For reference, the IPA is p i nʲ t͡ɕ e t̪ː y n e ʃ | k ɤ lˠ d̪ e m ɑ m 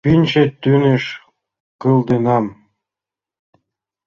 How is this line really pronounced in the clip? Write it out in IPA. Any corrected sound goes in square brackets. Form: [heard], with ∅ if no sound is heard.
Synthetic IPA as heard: p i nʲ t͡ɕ e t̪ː y n e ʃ | k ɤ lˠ d̪ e [n] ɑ m

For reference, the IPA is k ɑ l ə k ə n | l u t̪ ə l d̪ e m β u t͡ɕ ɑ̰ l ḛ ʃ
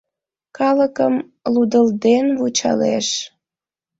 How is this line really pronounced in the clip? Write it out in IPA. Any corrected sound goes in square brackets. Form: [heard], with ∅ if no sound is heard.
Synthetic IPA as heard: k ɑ l ə k ə [m] | l u [d̪] ə l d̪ e [n] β u t͡ɕ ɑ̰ l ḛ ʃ

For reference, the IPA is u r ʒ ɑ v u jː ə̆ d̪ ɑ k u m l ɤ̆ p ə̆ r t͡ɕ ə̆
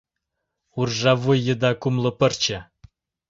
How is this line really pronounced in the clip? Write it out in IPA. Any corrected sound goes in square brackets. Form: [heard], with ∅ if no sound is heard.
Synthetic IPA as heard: u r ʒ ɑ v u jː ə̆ d̪ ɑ k u m l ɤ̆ p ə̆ r t͡ɕ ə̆

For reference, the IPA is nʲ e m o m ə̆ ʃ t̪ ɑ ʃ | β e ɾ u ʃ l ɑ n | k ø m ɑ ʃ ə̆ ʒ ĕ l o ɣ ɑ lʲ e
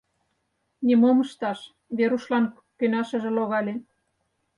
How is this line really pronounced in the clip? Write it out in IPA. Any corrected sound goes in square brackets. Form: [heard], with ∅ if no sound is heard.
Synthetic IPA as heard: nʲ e m o m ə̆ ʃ t̪ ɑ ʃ | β e ɾ u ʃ l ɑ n | k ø [n] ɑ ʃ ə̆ ʒ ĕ l o ɣ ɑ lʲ e

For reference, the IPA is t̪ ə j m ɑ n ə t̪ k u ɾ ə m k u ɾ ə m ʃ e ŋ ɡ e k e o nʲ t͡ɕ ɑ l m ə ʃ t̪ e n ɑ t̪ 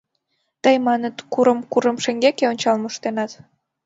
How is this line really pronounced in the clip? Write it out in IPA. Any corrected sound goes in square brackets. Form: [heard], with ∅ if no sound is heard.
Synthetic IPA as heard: t̪ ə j m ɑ n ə t̪ k u ɾ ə m k u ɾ ə m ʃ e ŋ ɡ e k e o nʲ t͡ɕ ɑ l m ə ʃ t̪ e n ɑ t̪

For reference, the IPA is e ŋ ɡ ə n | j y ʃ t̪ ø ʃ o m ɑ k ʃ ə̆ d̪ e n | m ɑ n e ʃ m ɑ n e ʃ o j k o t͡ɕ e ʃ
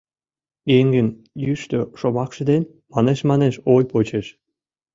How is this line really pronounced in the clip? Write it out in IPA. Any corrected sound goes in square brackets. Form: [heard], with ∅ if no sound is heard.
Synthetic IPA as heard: e ŋ ɡ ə n | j y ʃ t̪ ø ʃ o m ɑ k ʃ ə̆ d̪ e n | m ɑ n e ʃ m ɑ n e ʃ o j [p] o t͡ɕ e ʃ

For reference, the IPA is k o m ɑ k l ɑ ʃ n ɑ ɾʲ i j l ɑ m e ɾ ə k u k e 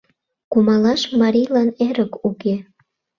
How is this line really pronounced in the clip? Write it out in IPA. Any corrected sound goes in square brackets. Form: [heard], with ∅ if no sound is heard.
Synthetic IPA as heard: k [u] m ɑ [∅] l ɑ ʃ [m] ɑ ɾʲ i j l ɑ [n] e ɾ ə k u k e

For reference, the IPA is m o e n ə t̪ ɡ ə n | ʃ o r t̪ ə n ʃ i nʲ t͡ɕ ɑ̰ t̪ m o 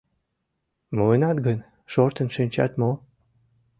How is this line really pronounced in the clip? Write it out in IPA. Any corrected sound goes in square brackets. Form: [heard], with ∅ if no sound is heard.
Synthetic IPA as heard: m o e n [ɑ] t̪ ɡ ə n | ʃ o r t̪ ə n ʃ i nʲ t͡ɕ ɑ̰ t̪ m o

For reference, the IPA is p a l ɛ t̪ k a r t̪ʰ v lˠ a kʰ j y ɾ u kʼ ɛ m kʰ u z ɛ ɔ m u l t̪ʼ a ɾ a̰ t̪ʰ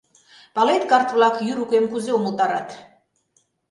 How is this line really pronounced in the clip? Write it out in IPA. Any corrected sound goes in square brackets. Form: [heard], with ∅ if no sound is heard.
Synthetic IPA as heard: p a l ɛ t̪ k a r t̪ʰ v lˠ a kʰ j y ɾ u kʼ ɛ m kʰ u z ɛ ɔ m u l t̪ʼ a ɾ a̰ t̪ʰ

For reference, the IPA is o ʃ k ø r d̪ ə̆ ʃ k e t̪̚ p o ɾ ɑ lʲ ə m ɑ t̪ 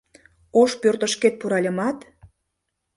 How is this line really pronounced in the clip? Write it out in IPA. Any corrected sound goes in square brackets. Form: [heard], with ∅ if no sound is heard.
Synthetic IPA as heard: o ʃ [p] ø r [t̪] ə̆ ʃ k e t̪̚ p [u] ɾ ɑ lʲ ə m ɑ t̪

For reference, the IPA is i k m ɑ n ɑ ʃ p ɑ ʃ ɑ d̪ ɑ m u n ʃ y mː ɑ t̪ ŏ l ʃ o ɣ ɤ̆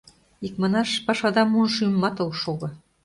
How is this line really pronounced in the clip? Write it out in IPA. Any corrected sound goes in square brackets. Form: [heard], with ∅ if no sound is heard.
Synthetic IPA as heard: i k m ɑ n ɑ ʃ p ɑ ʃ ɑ d̪ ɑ m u n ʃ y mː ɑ t̪ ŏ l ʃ o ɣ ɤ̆

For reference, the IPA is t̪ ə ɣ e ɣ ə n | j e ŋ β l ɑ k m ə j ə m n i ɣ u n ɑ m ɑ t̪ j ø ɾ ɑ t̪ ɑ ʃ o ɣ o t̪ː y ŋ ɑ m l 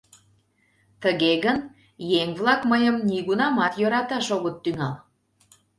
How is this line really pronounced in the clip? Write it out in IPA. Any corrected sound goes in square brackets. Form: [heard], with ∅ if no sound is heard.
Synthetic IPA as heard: t̪ ə ɣ e ɣ ə n | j e ŋ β l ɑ k m ə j ə m n i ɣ u n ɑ m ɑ t̪ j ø ɾ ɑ t̪ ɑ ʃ o ɣ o t̪ː y ŋ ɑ [∅] l

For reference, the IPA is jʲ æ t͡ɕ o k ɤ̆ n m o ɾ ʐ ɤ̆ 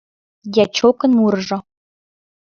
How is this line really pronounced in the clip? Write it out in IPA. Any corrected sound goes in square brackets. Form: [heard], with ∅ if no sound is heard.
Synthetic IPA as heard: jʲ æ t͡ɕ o k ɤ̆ n m [u] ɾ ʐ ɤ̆

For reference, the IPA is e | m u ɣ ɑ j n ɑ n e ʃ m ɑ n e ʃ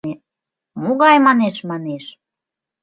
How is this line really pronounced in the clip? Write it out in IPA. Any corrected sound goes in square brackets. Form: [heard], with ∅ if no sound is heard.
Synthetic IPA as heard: e | m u ɣ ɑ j [m] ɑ n e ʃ m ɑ n e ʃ

